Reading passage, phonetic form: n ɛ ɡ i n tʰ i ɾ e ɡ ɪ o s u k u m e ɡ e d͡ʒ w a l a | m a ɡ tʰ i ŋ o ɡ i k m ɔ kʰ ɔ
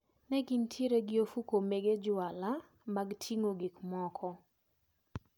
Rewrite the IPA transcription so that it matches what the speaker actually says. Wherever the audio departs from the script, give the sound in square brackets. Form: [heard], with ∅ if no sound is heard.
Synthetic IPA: n ɛ ɡ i n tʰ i ɾ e ɡ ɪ o [f] u k [o] m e ɡ e d͡ʒ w a l a | m a ɡ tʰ i ŋ o ɡ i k m ɔ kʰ ɔ